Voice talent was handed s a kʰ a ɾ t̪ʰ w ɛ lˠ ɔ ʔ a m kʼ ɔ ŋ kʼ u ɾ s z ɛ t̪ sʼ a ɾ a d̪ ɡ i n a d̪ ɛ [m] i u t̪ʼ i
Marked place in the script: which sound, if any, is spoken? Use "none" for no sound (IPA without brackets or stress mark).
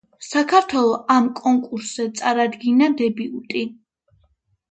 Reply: b